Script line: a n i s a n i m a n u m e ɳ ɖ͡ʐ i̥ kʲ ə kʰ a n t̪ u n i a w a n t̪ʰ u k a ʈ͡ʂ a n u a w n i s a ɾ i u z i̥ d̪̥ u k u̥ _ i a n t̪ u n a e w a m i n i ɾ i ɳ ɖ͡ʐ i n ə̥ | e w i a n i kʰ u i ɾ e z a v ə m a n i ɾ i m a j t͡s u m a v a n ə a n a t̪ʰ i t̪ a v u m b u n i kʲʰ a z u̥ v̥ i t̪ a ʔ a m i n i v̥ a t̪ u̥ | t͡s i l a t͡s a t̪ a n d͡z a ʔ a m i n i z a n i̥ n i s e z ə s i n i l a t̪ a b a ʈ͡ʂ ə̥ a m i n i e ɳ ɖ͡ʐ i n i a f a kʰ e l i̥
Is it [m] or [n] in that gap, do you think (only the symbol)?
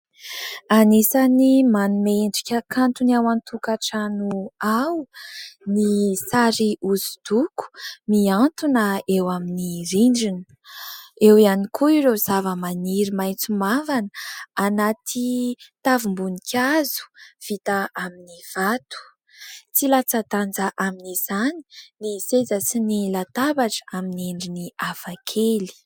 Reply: m